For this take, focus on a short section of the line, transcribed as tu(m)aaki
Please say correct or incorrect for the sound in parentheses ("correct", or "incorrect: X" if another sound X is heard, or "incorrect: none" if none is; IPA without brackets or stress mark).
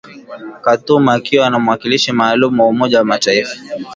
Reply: correct